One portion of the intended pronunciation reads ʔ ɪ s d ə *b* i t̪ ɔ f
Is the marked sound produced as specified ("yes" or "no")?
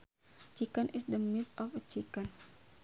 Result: no